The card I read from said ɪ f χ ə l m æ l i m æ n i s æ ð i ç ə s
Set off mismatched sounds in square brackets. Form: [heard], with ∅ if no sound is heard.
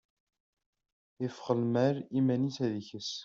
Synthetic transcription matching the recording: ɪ f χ ə l m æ [ɾ] i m æ n i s æ ð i ç ə s